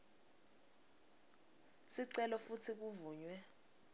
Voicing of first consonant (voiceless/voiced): voiceless